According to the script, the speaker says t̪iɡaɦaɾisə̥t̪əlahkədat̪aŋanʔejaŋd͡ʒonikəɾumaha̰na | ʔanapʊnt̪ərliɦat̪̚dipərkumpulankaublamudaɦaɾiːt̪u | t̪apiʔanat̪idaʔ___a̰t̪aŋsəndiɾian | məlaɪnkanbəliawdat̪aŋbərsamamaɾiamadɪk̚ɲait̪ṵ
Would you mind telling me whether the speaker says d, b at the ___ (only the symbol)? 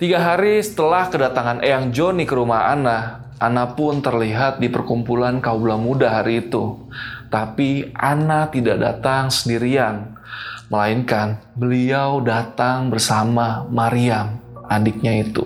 d